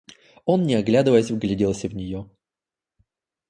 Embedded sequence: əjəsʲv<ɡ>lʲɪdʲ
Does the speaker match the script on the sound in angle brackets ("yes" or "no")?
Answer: yes